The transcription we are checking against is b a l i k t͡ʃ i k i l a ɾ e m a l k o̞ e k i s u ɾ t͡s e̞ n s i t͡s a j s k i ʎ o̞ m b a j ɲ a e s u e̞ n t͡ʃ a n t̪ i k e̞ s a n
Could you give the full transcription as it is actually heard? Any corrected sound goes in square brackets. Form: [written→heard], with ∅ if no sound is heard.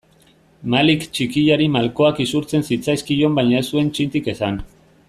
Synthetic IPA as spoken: [b→m] a l i k t͡ʃ i k i [l→ʎ] a ɾ [e→i] m a l k o̞ [e→a] k i s u ɾ t͡s e̞ n s i t͡s a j s k i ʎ o̞ m b a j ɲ a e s u e̞ n t͡ʃ [a→i] n t̪ i k e̞ s a n